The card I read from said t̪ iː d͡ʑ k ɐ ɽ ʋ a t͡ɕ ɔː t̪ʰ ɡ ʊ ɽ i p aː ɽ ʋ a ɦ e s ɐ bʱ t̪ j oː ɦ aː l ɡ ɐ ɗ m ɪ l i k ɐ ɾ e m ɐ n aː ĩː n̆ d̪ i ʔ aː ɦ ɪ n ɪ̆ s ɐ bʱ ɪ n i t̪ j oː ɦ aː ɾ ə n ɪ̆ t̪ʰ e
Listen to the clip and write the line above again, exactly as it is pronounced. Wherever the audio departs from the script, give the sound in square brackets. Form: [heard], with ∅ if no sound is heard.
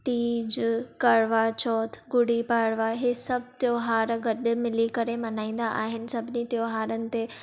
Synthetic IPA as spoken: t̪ iː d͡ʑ k ɐ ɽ ʋ a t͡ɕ ɔː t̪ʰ ɡ ʊ ɽ i p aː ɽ ʋ a ɦ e s ɐ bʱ t̪ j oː ɦ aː [ɾ] ɡ ɐ ɗ m ɪ l i k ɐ ɾ e m ɐ n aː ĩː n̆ d̪ [a] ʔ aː ɦ ɪ n ɪ̆ s ɐ bʱ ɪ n i t̪ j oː ɦ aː ɾ ə n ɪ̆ [t̪] e